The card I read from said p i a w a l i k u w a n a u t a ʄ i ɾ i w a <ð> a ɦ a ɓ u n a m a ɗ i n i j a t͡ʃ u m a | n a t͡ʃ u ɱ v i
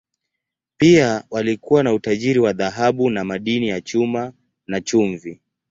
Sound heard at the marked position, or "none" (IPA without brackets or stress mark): ð